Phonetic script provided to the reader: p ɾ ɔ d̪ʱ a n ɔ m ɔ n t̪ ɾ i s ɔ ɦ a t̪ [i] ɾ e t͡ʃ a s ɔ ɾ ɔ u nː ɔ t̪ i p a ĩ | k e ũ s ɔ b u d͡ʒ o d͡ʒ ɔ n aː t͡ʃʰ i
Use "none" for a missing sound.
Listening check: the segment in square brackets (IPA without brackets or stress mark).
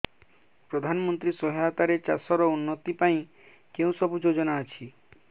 a